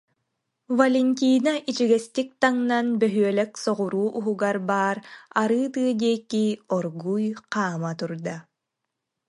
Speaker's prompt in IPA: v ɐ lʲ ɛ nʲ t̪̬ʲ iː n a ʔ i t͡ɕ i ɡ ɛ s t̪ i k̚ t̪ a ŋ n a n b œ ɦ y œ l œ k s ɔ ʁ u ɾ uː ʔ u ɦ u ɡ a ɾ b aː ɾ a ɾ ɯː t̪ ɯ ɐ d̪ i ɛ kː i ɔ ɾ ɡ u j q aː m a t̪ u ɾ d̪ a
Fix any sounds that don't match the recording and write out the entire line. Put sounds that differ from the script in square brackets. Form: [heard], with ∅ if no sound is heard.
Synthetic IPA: v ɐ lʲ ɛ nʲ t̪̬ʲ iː n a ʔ i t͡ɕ i ɡ ɛ s t̪ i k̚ t̪ a ŋ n a n b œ ɦ y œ l [ɛ] k s ɔ ʁ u ɾ uː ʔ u ɦ u ɡ a ɾ b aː ɾ a ɾ ɯː t̪ ɯ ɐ d̪ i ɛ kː i ɔ ɾ ɡ u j q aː m a t̪ u ɾ d̪ a